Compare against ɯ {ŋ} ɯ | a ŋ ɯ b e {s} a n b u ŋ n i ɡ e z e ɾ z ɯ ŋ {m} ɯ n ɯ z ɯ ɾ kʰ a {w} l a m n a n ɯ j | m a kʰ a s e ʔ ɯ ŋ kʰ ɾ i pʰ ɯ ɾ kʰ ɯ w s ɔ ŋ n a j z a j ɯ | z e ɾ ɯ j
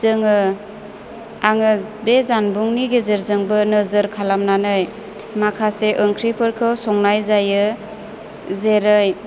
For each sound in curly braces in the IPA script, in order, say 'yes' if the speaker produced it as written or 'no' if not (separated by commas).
yes, no, no, no